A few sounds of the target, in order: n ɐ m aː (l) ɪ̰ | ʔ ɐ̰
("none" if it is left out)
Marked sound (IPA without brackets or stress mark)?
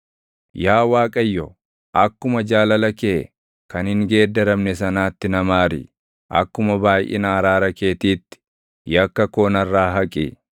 ɾ